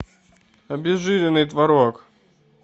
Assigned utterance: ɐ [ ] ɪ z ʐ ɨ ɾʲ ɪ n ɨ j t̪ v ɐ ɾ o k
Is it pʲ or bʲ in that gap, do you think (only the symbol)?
bʲ